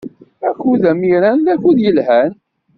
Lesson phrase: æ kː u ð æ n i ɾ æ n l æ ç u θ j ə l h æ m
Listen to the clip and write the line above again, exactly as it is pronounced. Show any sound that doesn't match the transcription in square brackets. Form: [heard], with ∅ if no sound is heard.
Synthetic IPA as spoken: æ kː u ð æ [m] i ɾ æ n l æ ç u [ð] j ə l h æ [n]